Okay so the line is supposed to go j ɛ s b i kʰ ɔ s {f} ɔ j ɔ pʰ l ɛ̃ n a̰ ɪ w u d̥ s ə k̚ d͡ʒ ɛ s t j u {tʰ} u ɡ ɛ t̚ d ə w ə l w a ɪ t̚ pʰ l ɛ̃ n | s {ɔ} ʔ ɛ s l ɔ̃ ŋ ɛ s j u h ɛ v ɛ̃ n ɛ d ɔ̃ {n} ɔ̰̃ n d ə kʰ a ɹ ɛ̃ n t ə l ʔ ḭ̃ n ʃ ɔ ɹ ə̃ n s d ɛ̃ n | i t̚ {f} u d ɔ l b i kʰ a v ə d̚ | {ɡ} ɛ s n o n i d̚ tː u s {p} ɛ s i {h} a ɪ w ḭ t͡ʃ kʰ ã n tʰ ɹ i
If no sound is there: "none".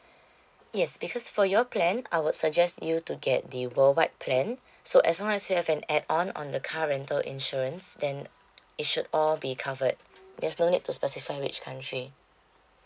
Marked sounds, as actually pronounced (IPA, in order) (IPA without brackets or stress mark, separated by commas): f, t, o, n, ʃ, d, p, f